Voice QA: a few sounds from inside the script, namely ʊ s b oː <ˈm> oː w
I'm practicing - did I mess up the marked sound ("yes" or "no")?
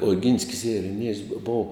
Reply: yes